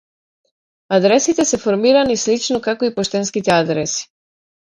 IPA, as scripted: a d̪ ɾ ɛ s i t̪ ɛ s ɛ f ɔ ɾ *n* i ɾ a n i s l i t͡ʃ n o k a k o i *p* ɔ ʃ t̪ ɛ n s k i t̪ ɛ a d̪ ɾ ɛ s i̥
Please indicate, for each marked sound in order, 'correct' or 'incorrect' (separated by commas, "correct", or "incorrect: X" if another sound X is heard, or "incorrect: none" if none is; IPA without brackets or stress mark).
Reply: incorrect: m, correct